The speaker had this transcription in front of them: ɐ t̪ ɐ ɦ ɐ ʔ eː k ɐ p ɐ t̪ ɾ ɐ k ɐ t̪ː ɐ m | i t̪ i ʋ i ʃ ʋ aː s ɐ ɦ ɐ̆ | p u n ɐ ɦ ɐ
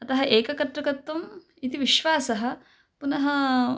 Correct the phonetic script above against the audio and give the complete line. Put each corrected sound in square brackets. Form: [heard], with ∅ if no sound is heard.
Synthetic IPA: ɐ t̪ ɐ ɦ ɐ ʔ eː k ɐ [k] ɐ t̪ ɾ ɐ k ɐ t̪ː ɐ m | i t̪ i ʋ i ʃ ʋ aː s ɐ ɦ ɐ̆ | p u n ɐ ɦ ɐ